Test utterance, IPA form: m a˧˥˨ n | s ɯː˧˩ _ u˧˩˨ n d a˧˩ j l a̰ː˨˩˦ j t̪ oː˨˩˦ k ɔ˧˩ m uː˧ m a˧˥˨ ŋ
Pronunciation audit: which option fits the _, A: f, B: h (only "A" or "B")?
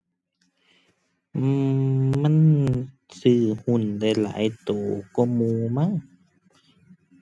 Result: B